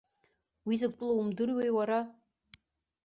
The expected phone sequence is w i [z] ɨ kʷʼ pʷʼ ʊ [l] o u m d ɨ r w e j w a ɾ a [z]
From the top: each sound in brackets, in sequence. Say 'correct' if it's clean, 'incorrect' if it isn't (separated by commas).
correct, correct, incorrect